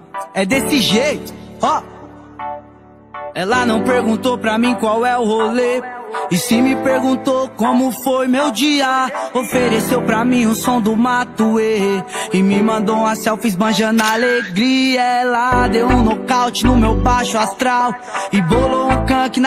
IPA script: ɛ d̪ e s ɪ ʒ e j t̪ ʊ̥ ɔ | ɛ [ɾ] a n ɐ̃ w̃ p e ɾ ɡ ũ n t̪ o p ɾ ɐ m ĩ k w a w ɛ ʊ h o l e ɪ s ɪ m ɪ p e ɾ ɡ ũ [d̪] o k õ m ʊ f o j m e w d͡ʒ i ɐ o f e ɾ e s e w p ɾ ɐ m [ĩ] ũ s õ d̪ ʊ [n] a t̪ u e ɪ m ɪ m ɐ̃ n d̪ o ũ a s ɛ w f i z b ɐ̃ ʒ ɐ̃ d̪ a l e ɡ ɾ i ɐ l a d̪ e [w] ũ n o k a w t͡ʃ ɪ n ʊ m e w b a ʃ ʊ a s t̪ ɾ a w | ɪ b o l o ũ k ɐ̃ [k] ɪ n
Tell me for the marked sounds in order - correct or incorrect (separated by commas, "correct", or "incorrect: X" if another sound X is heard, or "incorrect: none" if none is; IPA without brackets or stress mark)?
incorrect: l, incorrect: t̪, correct, incorrect: m, correct, correct